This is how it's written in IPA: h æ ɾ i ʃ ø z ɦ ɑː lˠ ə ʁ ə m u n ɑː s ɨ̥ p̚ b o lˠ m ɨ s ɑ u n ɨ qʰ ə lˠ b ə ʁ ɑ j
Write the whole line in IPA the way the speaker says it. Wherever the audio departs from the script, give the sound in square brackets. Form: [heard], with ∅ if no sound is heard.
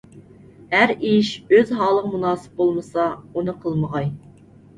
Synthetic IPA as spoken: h æ ɾ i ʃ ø z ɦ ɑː lˠ ə ʁ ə m u n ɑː s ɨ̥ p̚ b o lˠ m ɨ s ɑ u n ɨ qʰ ə lˠ [m] ə ʁ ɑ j